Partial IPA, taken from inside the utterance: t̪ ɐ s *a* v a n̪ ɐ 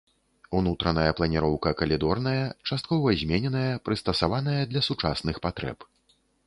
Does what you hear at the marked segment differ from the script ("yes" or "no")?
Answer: no